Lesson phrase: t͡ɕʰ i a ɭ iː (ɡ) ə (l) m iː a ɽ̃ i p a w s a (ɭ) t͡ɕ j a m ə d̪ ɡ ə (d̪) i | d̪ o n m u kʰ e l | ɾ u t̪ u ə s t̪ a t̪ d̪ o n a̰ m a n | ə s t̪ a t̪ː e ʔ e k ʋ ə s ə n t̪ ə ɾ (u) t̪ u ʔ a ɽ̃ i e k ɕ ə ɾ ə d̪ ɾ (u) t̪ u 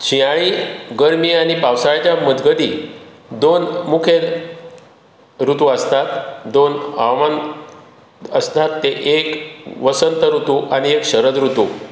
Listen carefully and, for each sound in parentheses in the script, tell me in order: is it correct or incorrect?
correct, incorrect: ɾ, correct, correct, correct, correct

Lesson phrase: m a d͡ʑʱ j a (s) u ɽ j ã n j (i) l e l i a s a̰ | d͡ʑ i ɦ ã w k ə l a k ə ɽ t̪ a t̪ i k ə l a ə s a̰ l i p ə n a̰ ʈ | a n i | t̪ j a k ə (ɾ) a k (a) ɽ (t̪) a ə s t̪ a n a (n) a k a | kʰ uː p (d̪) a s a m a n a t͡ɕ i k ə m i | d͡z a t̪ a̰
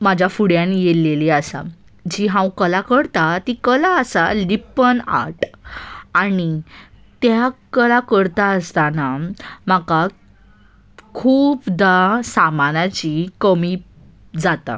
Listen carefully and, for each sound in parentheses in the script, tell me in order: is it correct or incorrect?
incorrect: f, incorrect: e, incorrect: l, incorrect: ə, correct, incorrect: m, correct

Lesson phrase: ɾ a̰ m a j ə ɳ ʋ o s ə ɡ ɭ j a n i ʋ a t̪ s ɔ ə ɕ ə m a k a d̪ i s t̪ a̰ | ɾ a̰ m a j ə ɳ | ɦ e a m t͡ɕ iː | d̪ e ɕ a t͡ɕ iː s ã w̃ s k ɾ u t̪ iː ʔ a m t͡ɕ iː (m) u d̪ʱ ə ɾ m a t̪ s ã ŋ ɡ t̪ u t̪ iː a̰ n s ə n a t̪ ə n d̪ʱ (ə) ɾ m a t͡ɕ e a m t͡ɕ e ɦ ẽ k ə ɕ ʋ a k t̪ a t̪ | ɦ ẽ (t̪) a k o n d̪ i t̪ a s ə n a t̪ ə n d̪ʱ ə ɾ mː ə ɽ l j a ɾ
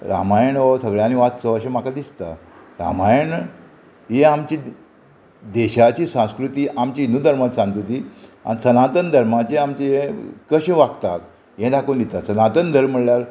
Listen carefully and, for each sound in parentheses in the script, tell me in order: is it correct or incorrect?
incorrect: n, correct, incorrect: d̪

